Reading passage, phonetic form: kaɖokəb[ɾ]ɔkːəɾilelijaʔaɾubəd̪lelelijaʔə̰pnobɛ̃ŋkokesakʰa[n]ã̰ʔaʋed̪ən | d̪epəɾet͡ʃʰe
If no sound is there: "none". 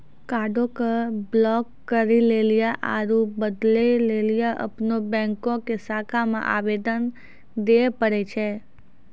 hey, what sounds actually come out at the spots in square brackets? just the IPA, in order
l, m

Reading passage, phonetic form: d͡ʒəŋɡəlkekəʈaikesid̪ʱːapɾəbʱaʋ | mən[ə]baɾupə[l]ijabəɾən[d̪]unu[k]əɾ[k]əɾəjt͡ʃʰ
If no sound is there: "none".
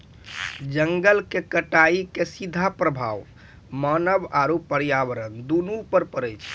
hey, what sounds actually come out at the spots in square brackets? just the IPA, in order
ə, ɾ, d̪, p, p

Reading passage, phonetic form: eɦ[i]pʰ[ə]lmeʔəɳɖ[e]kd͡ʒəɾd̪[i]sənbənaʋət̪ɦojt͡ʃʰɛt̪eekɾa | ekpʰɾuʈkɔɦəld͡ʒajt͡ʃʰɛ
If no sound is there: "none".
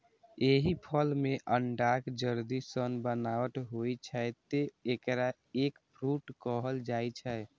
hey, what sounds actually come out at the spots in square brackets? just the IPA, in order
i, ə, a, i

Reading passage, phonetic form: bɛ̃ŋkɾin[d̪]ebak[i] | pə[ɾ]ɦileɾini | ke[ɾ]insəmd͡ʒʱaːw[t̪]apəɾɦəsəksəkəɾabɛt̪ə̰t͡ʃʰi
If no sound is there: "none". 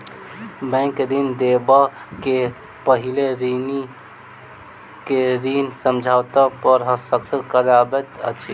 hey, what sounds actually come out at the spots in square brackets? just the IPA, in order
d̪, e, none, ɾ, t̪

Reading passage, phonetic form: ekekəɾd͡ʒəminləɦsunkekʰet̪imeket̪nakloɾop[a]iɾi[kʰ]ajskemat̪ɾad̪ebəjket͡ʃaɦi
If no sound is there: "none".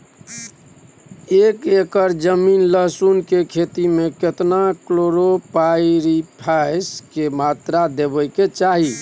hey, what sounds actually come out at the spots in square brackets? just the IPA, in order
a, pʰ

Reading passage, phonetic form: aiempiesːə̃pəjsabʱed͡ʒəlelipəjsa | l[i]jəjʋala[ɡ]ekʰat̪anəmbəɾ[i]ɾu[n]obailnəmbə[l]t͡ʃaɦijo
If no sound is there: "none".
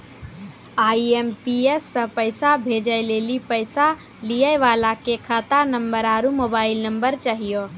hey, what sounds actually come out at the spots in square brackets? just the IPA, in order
i, k, a, m, ɾ

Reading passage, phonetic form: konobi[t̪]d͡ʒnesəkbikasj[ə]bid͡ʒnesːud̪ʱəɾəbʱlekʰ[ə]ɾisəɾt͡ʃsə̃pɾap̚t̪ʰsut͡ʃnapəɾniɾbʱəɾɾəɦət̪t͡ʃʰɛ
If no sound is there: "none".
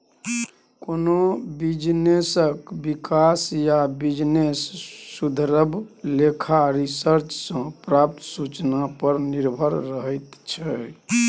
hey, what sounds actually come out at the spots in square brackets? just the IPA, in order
none, a, a

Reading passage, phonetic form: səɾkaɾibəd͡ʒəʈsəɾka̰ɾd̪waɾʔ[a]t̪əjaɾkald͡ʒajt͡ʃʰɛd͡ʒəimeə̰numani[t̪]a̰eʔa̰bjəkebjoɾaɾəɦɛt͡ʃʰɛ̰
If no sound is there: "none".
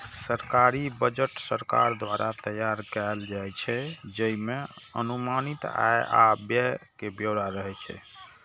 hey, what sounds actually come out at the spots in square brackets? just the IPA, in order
a, t̪

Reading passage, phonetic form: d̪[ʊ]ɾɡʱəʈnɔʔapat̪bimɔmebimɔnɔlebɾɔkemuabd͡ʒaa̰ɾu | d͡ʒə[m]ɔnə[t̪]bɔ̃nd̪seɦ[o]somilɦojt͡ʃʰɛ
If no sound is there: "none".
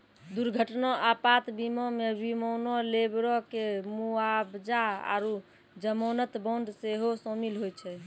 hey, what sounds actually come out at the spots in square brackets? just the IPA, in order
u, m, t̪, o

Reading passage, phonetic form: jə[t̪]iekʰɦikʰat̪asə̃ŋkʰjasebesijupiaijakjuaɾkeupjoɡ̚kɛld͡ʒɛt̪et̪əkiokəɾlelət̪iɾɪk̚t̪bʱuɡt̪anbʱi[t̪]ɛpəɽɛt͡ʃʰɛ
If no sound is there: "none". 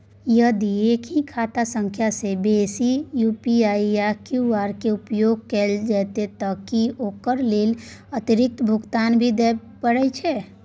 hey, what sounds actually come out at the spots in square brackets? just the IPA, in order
d̪, d̪

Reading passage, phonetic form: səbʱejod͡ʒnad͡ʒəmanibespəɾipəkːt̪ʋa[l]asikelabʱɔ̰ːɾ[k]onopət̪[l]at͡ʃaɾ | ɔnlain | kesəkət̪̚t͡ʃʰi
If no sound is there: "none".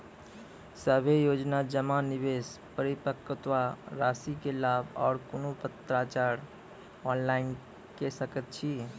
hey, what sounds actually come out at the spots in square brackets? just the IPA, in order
ɾ, k, ɾ

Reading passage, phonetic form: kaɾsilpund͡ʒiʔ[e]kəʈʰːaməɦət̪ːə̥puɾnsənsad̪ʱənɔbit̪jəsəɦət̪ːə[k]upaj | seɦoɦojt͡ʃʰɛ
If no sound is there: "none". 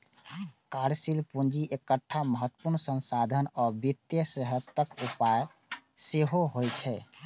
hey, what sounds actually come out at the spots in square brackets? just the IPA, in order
e, k

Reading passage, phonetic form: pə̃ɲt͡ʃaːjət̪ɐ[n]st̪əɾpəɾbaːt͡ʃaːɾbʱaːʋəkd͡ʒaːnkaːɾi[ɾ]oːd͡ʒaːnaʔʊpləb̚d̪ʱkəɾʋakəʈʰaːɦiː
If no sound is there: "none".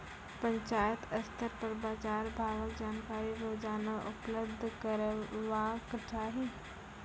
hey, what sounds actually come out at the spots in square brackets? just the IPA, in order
none, ɾ

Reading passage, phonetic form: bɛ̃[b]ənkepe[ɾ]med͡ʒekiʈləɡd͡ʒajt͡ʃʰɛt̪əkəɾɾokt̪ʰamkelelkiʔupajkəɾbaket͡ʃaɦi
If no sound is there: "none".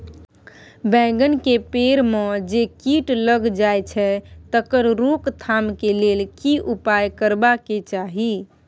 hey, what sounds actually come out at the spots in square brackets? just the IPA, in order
ɡ, ɾ

